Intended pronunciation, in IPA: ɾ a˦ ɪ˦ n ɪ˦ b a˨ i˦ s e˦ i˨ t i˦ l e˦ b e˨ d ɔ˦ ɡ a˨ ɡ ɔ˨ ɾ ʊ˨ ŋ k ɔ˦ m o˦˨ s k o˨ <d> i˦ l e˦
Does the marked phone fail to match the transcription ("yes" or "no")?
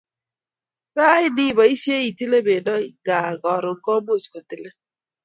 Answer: yes